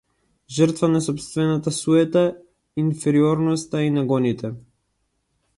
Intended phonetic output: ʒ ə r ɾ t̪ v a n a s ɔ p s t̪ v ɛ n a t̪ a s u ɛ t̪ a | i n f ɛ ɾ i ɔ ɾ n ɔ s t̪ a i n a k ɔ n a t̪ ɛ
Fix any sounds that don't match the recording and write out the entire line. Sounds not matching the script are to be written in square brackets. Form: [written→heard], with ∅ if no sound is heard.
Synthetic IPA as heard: ʒ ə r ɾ t̪ v a n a s ɔ p s t̪ v ɛ n a t̪ a s u ɛ t̪ a | i n f ɛ ɾ i ɔ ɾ n ɔ s t̪ a i n a [k→ɡ] ɔ n [a→i] t̪ ɛ